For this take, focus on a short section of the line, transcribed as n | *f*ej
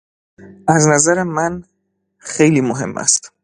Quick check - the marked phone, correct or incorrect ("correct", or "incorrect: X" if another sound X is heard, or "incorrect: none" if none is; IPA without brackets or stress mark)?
incorrect: x